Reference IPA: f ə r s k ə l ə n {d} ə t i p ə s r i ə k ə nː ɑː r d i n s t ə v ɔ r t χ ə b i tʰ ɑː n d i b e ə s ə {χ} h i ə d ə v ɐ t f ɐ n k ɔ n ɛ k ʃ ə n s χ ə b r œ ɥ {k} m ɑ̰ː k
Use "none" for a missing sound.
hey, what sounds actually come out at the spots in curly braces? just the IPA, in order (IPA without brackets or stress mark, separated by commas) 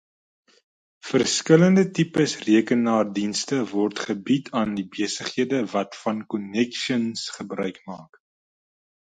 d, χ, k